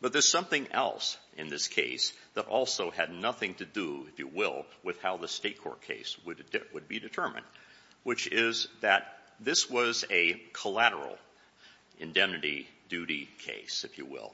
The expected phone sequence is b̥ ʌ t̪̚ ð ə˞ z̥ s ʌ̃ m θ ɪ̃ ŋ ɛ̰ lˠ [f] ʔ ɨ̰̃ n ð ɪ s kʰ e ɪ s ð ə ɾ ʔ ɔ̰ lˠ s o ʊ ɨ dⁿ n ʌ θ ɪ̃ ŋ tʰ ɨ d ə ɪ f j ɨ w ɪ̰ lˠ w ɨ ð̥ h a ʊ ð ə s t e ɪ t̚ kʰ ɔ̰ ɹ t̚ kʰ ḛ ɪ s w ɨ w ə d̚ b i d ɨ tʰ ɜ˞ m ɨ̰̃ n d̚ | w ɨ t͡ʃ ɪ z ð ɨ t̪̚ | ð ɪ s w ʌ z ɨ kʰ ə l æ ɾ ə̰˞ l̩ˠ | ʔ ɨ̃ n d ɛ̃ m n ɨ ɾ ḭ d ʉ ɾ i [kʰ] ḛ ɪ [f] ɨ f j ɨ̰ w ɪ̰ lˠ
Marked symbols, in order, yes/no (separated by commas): no, yes, no